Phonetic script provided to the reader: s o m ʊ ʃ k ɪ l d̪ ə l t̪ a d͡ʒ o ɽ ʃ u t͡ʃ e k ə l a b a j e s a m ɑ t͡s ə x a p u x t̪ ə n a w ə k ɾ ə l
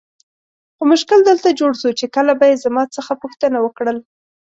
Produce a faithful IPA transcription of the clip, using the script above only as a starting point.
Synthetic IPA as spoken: x o m ʊ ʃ k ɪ l d̪ ə l t̪ a d͡ʒ o ɽ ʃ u t͡ʃ e k ə l a b a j e z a m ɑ t͡s ə x a p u x t̪ ə n a w ə k ɽ ə l